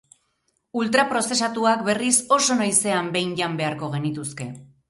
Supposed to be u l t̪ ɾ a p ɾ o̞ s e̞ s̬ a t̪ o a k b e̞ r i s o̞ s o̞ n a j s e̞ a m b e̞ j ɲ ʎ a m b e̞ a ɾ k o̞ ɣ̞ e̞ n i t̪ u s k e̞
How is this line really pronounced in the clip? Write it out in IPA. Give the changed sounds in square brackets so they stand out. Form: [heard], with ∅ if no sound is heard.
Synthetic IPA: u l t̪ ɾ a p ɾ o̞ s e̞ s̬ a t̪ [u] a k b e̞ r i s o̞ s o̞ n a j s e̞ a m b e̞ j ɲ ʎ a m b e̞ a ɾ k o̞ ɣ̞ e̞ n i t̪ u s k e̞